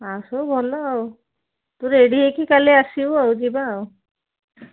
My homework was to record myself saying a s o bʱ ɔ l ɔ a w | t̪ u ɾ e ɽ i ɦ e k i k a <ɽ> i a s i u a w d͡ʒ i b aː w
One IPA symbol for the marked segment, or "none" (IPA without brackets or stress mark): l